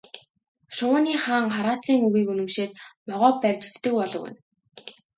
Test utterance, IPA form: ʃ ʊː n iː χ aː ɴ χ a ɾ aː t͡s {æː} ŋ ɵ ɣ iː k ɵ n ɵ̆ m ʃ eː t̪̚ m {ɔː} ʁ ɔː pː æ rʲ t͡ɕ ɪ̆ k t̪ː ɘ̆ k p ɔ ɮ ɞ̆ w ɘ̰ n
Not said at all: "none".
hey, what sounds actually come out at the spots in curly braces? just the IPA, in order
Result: iː, ɔ

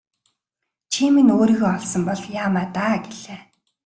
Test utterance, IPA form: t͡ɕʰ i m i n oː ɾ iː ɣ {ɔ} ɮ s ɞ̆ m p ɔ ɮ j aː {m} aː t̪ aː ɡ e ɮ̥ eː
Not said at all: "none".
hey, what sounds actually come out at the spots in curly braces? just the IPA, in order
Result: ɔ, m

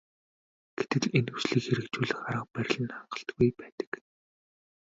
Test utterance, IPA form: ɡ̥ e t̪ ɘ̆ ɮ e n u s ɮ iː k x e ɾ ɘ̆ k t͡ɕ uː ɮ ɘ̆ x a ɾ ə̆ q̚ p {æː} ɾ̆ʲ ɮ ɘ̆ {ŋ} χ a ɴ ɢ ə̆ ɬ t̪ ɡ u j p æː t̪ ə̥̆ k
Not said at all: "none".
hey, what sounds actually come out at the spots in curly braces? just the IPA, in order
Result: æ, n

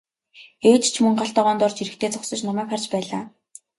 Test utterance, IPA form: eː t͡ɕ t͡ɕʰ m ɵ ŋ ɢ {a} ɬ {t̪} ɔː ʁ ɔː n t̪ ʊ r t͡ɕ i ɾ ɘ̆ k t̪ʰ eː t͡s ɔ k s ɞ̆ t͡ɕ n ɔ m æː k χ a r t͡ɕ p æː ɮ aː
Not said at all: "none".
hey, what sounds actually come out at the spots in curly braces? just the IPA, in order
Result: a, t̪

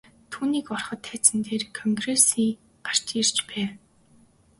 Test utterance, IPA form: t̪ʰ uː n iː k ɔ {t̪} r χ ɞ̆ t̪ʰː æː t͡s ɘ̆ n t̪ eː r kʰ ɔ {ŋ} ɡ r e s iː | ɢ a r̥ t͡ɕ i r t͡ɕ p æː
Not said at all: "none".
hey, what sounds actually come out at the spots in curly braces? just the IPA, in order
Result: none, ŋ

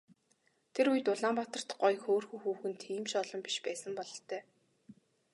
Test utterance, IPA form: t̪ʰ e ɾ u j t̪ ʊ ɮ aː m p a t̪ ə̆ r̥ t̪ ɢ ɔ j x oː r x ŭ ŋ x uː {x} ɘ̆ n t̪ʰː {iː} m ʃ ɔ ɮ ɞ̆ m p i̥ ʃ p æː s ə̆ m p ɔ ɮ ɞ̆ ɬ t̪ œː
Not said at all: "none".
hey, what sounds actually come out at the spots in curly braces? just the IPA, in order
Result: x, iː

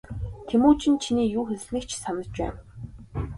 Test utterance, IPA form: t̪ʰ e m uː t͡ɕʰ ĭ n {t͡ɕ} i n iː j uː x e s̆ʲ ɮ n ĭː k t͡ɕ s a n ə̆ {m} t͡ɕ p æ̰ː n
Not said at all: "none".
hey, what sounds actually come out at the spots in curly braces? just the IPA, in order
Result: t͡ɕʰ, none

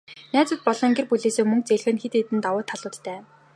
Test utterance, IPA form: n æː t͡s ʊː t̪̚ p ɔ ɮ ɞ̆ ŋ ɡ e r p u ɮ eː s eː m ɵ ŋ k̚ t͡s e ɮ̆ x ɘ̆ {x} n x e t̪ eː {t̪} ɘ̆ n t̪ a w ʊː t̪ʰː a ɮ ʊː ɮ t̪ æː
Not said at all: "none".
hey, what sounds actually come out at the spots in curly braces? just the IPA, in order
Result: none, t̪

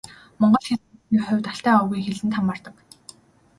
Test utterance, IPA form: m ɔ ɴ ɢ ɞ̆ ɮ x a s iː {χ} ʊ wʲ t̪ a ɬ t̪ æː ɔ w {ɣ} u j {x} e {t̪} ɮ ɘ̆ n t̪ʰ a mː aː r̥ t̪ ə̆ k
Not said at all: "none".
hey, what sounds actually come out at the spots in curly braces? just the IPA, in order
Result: χ, ɣ, x, none

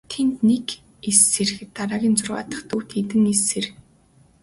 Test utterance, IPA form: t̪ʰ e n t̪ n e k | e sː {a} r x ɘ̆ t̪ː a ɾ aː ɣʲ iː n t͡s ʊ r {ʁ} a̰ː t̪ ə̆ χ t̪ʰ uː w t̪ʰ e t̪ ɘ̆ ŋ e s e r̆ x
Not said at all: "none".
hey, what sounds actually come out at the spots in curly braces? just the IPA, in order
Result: e, ʁ

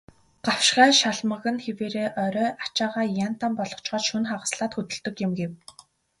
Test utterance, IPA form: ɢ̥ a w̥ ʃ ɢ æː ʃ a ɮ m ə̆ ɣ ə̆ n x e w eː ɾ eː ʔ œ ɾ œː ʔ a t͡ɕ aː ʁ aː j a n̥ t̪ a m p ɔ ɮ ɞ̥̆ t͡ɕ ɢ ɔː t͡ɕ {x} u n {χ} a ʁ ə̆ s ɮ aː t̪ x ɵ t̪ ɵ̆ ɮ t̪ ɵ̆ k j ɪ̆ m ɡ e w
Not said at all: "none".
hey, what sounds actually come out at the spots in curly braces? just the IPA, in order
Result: ʃ, χ

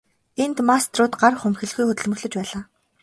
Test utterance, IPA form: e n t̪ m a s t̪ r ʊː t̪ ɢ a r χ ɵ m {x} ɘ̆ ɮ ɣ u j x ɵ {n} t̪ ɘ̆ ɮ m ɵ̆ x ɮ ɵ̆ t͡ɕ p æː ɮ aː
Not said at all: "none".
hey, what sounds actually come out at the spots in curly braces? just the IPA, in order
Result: x, none

